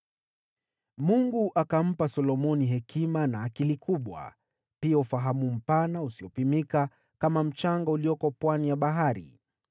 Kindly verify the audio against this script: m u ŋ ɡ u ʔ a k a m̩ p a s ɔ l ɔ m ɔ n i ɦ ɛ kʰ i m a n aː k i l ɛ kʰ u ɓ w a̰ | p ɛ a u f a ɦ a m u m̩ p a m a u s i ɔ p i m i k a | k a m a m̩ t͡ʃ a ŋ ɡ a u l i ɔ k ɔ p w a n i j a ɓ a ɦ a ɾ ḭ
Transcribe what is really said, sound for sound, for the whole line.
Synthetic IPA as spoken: m u ŋ ɡ u ʔ a k a m̩ p a s ɔ l ɔ m ɔ n i ɦ ɛ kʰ i m a n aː k i l i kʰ u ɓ w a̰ | p i a u f a ɦ a m u m̩ p a n a u s i ɔ p i m i k a | k a m a m̩ t͡ʃ a ŋ ɡ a u l i ɔ k ɔ p w a n i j a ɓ a ɦ a ɾ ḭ